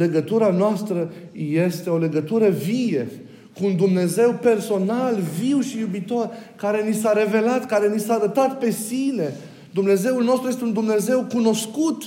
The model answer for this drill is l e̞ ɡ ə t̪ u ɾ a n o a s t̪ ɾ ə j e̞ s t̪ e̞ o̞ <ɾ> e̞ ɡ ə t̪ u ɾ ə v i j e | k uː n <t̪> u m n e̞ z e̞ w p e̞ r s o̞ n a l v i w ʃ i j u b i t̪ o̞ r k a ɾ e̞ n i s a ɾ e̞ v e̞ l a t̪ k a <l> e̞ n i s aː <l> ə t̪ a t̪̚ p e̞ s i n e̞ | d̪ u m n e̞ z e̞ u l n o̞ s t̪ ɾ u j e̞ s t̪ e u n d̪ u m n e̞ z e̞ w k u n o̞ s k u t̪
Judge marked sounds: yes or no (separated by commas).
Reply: no, no, no, no